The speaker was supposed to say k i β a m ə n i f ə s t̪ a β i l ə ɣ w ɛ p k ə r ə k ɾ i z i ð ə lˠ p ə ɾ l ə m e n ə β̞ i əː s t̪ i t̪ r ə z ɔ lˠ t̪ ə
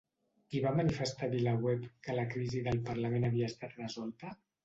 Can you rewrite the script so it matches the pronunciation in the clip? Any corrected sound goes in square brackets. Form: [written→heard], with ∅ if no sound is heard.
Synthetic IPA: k i β a m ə n i f ə s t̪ a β i l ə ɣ w ɛ p k ə [r→l] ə k ɾ i z i ð ə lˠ p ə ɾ l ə m e n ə β̞ i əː s t̪ [i→a] t̪ r ə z ɔ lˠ t̪ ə

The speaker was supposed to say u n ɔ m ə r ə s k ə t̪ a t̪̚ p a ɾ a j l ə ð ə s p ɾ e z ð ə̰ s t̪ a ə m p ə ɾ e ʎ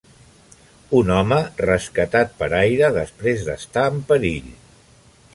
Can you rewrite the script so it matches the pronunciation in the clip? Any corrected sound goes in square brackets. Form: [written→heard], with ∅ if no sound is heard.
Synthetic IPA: u n ɔ m ə r ə s k ə t̪ a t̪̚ p [a→ə] ɾ a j [l→ɾ] ə ð ə s p ɾ e z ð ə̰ s t̪ a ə m p ə ɾ [e→i] ʎ

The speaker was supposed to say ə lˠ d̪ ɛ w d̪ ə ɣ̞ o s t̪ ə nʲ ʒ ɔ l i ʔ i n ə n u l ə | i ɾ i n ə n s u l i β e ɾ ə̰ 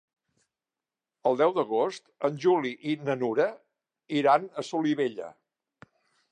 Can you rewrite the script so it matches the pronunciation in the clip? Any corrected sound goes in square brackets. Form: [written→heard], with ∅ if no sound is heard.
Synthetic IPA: ə lˠ d̪ ɛ w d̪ ə ɣ̞ o s t̪ ə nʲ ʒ [ɔ→u] l i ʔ i n ə n u [l→ɾ] ə | i ɾ [i→a] n ə [n→∅] s u l i β e [ɾ→ʎ] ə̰

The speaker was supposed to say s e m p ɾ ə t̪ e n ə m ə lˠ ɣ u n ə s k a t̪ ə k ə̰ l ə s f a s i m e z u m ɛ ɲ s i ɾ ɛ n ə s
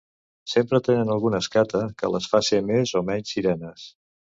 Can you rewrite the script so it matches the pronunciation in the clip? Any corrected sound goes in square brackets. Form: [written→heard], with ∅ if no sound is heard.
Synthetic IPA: s e m p ɾ ə t̪ e n ə [m→n] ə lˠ ɣ u n ə s k a t̪ ə k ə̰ l ə s f a s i m e z [u→o] m ɛ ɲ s i ɾ ɛ n ə s

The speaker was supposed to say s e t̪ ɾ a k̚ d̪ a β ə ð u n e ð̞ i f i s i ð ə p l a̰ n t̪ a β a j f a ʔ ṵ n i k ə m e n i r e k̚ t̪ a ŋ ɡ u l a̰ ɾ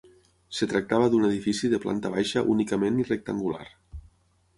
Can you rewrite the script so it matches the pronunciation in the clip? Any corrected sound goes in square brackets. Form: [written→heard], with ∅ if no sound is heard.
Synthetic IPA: s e t̪ ɾ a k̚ [d̪→t̪] a β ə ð u n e ð̞ i f i s i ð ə p l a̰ n t̪ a β a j [f→ʃ] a ʔ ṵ n i k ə m e n i r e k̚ t̪ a ŋ ɡ u l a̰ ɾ

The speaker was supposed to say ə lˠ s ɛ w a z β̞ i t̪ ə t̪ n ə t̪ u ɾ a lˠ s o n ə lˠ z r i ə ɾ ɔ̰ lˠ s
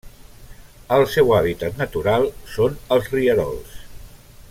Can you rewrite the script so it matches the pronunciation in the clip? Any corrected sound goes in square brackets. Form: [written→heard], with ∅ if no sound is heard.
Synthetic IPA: ə lˠ s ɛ w a [z→∅] β̞ i t̪ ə t̪ n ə t̪ u ɾ a lˠ s o n ə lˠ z r i ə ɾ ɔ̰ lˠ s

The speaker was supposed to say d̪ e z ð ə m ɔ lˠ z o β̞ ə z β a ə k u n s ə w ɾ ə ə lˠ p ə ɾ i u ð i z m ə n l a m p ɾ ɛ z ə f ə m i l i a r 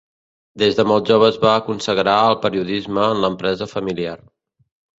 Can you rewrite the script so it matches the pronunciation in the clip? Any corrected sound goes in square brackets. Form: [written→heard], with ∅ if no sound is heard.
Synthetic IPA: d̪ e z ð ə m ɔ lˠ [z→ʒ] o β̞ ə z β a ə k u n s ə [w→ɣ] ɾ [ə→a] ə lˠ p ə ɾ i u ð i z m [ə→əː] n l [a→ə] m p ɾ ɛ z ə f ə m i l i a r

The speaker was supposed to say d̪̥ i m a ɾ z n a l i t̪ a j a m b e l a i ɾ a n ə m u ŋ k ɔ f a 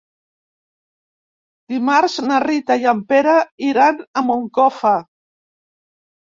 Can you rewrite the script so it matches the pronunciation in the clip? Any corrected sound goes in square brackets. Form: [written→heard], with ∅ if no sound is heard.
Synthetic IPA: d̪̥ i m a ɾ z n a [l→r] i t̪ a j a m [b→p] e [l→ɾ] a i ɾ a n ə m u ŋ k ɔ f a

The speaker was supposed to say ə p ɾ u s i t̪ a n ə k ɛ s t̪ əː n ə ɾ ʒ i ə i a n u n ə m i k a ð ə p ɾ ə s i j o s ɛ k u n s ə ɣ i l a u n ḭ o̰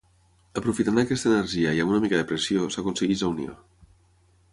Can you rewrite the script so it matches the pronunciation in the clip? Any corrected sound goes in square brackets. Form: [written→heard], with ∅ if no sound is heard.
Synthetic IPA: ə p ɾ u [s→f] i t̪ a n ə k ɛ s t̪ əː n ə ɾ ʒ i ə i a [n→m] u n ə m i k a ð ə p ɾ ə s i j o s [ɛ→a] k u n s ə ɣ i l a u n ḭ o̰

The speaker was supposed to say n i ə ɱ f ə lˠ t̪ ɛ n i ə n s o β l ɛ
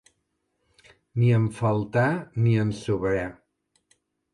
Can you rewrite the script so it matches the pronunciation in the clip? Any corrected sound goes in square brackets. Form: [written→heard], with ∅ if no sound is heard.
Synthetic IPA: n i ə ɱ f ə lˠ t̪ [ɛ→a] n i ə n s [o→u] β [l→ɾ] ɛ

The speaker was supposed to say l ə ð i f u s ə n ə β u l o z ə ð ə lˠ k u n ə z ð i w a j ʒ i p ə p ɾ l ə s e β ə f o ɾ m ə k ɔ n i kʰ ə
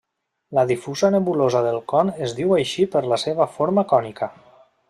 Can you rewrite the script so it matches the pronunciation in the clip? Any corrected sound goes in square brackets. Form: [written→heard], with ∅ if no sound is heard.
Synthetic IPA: l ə ð i f u [s→z] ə n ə β u l o z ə ð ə lˠ k [u→ɔ] n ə z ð i w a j [ʒ→ʃ] i p ə [p→∅] ɾ l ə s e β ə f o ɾ m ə k ɔ n i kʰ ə

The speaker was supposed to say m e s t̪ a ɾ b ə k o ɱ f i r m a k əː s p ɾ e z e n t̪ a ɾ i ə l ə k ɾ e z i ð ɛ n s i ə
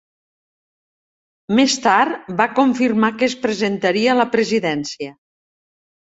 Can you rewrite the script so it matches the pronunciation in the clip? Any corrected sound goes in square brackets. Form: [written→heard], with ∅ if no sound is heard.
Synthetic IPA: m e s t̪ a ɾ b [ə→a] k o ɱ f i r m a k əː s p ɾ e z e n t̪ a ɾ i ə l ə [k→p] ɾ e z i ð ɛ n s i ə

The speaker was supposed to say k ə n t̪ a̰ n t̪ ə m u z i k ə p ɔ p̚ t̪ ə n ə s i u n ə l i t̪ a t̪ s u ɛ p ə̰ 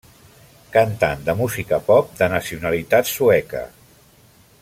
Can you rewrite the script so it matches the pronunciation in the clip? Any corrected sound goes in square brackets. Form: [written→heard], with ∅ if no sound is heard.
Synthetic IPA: k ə n t̪ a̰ n [t̪→d̪] ə m u z i k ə p ɔ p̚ [t̪→d̪] ə n ə s i u n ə l i t̪ a t̪ s u ɛ [p→k] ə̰

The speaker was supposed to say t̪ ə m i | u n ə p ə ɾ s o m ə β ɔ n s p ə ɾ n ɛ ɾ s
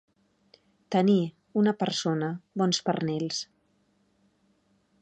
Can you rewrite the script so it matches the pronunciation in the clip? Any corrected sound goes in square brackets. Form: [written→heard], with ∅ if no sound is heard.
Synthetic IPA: t̪ ə [m→n] i | u n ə p ə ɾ s o [m→n] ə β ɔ n s p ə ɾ n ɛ [ɾ→l] s

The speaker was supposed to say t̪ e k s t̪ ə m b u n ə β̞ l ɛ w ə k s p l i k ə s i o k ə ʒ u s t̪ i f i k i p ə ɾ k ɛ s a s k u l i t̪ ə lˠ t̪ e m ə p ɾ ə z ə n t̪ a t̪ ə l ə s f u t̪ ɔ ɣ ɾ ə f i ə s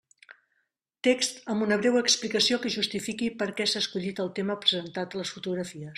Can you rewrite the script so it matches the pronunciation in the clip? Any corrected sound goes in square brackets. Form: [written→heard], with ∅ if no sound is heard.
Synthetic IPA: t̪ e k s t̪ ə m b u n ə β̞ [l→ɾ] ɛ w ə k s p l i k ə s i o k ə ʒ u s t̪ i f i k i p ə ɾ k ɛ s a s k u [l→ʎ] i t̪ ə lˠ t̪ e m ə p ɾ ə z ə n t̪ a t̪ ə l ə s f u t̪ [ɔ→u] ɣ ɾ ə f i ə s

